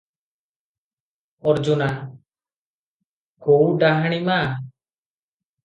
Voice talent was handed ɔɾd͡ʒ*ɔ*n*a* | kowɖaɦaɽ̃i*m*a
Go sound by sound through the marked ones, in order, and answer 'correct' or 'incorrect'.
incorrect, correct, correct

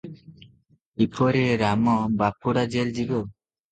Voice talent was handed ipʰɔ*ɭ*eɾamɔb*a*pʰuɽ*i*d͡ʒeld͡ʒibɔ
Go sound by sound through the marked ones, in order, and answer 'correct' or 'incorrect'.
incorrect, correct, incorrect

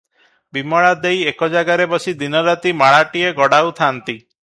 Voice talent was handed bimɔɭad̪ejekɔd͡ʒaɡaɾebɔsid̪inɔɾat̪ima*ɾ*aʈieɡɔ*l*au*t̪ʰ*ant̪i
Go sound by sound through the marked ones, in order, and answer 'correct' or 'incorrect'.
incorrect, incorrect, correct

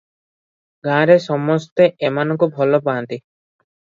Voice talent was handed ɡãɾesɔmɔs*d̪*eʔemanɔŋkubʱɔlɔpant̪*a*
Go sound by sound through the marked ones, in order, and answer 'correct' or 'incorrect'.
incorrect, incorrect

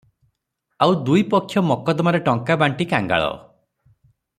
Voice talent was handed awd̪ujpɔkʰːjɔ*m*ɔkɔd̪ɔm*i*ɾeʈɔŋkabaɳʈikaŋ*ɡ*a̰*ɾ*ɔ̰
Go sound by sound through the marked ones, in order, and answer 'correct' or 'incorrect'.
correct, incorrect, correct, incorrect

